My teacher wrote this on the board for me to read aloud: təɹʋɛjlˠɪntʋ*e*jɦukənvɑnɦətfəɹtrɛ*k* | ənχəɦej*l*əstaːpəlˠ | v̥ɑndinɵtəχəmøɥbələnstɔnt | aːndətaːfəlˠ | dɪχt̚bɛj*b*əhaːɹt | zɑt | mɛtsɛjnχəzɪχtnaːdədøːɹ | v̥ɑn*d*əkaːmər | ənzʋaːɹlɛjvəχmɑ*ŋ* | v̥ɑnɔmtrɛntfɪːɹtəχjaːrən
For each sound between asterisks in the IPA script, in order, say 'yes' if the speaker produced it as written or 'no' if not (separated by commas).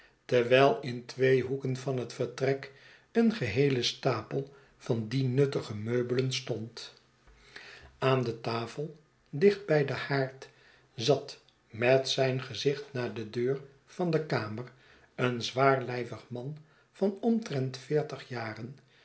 yes, yes, yes, no, yes, no